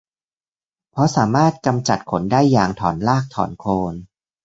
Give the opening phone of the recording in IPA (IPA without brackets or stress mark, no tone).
pʰ